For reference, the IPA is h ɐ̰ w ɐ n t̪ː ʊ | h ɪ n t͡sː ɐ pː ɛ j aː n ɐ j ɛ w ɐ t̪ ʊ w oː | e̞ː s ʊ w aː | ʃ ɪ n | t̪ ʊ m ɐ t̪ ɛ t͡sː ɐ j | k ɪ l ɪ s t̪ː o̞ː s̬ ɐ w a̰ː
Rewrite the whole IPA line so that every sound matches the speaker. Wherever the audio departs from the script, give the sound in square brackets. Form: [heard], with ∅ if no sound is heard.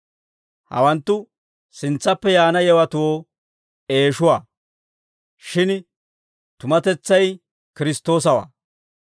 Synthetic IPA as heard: h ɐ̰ w ɐ n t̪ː ʊ | [s] ɪ n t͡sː ɐ pː ɛ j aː n ɐ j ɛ w ɐ t̪ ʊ w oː | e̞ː [ʃ] ʊ w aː | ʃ ɪ n | t̪ ʊ m ɐ t̪ ɛ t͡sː ɐ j | k ɪ [ɾ] ɪ s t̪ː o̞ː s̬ ɐ w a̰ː